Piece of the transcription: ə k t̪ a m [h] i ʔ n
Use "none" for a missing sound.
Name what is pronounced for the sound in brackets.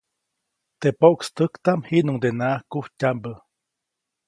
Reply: h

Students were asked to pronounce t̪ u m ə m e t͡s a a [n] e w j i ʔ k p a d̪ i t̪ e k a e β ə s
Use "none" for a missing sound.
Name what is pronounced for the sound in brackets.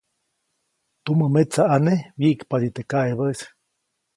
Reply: n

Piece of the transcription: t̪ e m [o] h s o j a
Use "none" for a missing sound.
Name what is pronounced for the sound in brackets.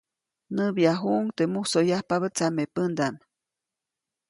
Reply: u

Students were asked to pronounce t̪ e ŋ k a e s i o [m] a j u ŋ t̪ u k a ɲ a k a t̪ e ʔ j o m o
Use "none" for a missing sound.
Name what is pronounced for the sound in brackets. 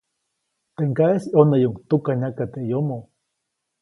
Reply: n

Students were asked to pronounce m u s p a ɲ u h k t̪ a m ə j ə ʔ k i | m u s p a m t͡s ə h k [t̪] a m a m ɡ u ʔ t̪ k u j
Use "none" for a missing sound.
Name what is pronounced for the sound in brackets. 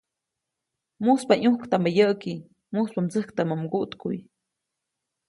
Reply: t̪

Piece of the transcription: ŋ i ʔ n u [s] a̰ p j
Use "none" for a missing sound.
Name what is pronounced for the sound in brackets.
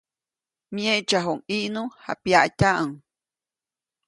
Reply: h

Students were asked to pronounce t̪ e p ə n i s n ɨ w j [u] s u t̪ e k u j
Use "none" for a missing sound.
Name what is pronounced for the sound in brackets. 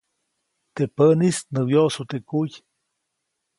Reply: o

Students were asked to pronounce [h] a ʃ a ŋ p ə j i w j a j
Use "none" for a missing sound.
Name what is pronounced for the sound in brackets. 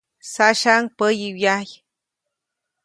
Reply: s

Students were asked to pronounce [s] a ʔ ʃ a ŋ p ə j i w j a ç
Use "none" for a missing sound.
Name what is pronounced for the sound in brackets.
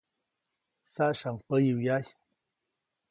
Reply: s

